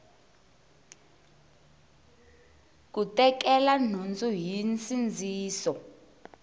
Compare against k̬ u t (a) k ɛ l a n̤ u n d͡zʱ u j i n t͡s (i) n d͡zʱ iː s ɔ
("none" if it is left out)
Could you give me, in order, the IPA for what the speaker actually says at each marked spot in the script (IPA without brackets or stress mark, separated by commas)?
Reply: ɛ, i